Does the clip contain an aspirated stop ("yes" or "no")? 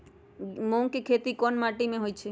yes